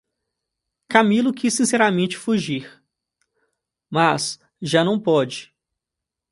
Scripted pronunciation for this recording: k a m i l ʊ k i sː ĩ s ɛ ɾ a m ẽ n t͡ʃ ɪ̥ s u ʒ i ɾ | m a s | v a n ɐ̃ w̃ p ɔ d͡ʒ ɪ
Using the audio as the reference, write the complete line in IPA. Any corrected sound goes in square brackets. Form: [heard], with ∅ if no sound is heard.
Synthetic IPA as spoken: k a m i l ʊ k i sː ĩ s ɛ ɾ a m ẽ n t͡ʃ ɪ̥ [f] u ʒ i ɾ | m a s | [ʒ] a n ɐ̃ w̃ p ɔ d͡ʒ ɪ